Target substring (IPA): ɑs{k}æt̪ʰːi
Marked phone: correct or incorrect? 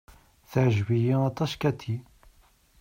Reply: correct